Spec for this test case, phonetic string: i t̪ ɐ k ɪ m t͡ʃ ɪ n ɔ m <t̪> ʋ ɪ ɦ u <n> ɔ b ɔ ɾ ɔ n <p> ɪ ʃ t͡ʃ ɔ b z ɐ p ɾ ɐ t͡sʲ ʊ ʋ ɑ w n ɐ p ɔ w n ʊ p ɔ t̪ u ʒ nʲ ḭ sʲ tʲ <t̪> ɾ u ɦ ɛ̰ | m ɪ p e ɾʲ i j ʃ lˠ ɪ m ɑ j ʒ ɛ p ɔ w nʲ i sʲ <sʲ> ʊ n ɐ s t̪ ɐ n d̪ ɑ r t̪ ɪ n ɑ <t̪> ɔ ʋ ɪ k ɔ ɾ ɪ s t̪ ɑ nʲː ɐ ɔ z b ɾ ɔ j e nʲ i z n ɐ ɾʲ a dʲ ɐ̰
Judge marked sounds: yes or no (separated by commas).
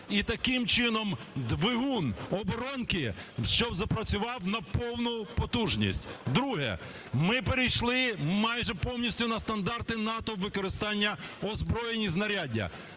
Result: no, yes, no, no, no, yes